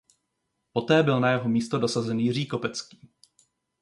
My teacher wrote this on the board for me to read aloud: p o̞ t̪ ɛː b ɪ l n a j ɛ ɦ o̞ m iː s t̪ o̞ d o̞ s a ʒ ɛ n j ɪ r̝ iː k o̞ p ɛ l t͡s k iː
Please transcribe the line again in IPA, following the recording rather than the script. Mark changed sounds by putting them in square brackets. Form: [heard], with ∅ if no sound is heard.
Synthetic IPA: p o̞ t̪ ɛː b ɪ l n a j ɛ ɦ o̞ m iː s t̪ o̞ d o̞ s a [z] ɛ n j ɪ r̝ iː k o̞ p ɛ [∅] t͡s k iː